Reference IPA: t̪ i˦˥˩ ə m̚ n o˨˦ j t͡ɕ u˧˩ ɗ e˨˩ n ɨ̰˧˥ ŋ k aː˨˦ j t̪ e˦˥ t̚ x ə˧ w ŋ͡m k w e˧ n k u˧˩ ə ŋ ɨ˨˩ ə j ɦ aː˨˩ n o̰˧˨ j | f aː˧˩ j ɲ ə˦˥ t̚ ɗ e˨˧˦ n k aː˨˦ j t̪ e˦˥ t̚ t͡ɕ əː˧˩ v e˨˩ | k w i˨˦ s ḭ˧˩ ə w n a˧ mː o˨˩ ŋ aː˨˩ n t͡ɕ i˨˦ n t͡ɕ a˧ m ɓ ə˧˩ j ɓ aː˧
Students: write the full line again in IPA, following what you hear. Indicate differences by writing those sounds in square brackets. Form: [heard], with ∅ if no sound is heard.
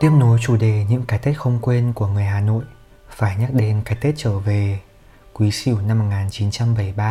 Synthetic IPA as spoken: t̪ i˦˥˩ ə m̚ n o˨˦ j t͡ɕ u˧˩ ɗ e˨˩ [ɲ] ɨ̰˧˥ ŋ k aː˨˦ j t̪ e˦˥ t̚ x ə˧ w ŋ͡m k w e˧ n k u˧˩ ə ŋ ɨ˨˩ ə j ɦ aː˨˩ n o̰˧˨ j | f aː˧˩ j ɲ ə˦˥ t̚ ɗ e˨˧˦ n k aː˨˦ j t̪ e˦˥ t̚ t͡ɕ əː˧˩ v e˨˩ | k w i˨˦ s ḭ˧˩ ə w n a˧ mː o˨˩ ŋ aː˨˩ n t͡ɕ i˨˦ n t͡ɕ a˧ m ɓ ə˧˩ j ɓ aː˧